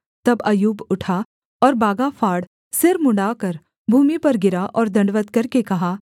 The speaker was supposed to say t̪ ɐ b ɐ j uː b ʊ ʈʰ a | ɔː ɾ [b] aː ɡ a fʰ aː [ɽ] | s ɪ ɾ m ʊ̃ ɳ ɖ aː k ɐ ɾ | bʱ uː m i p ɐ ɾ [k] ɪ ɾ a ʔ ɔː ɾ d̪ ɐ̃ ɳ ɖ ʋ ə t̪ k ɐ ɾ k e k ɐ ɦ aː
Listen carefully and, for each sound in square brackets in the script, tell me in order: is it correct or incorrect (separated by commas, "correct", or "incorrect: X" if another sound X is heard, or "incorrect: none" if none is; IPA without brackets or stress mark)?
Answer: correct, correct, incorrect: ɡ